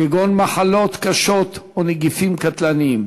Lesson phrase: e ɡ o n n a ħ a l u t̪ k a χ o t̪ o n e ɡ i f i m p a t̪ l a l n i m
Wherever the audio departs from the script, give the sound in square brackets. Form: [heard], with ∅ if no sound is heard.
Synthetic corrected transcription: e ɡ o n [m] a ħ a l [o] t̪ k a [ʃ] o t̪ o n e ɡ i f i m [k] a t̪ l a [∅] n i m